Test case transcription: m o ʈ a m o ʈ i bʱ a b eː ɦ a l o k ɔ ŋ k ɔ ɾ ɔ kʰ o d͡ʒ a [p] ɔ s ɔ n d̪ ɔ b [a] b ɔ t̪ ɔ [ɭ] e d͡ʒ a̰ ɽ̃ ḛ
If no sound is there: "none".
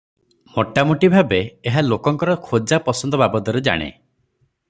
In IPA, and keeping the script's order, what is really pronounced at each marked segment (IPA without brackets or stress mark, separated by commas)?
p, a, ɾ